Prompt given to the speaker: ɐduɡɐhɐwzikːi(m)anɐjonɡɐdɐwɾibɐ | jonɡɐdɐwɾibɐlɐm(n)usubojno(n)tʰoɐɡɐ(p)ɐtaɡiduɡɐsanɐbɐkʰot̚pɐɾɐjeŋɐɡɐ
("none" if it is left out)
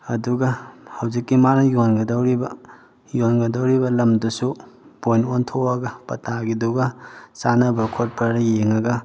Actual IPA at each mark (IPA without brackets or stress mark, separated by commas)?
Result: m, d, n, p